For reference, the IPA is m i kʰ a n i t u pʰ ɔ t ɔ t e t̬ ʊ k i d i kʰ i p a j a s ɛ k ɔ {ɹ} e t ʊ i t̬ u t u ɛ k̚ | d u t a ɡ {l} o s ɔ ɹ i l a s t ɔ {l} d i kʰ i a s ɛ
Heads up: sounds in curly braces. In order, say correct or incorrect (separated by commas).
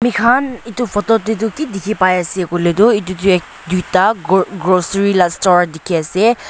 incorrect, incorrect, incorrect